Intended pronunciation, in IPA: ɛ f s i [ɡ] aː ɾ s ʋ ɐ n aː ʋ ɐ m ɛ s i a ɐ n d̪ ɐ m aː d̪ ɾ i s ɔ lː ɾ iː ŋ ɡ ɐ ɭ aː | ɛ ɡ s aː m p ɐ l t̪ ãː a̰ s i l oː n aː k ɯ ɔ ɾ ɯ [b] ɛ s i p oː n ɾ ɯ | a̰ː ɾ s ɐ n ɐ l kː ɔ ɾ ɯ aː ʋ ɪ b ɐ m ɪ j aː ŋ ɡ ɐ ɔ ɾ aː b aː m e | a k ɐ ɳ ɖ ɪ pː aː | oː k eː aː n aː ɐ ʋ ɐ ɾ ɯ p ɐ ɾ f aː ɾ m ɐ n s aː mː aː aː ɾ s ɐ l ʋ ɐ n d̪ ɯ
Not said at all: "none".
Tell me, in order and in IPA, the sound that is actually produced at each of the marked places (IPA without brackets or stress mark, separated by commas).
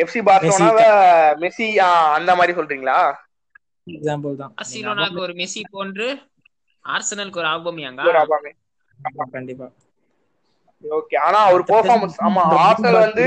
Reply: b, m